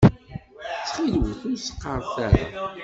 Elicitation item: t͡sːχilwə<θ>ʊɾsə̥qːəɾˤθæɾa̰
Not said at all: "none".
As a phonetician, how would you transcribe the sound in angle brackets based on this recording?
θ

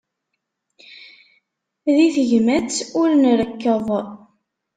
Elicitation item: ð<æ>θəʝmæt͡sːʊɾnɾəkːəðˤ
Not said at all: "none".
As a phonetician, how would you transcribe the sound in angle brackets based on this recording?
i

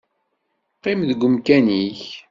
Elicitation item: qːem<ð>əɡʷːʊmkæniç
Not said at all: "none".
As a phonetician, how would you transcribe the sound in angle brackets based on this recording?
ð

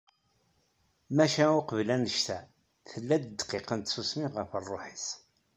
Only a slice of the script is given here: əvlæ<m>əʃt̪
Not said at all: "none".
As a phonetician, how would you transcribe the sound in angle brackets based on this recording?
n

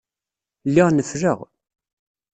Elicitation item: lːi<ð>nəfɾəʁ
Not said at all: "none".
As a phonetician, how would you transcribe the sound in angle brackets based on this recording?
ʁ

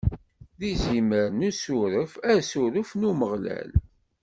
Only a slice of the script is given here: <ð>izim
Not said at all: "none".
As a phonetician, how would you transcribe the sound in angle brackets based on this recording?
ð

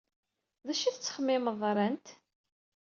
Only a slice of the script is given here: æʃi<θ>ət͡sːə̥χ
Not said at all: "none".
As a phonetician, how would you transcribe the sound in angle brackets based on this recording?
θ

